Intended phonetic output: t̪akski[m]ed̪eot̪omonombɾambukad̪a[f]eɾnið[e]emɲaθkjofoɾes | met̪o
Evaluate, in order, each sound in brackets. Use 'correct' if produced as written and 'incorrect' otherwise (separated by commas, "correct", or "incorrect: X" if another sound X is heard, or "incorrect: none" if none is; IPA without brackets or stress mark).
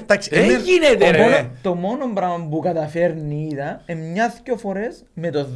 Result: incorrect: n, correct, incorrect: a